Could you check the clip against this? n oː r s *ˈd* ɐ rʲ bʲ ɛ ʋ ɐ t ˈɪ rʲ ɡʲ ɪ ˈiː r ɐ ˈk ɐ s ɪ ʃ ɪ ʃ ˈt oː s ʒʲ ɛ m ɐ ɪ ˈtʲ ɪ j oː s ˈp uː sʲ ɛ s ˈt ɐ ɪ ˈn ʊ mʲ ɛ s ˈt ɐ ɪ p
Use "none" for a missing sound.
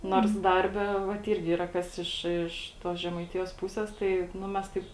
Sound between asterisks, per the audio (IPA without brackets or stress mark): d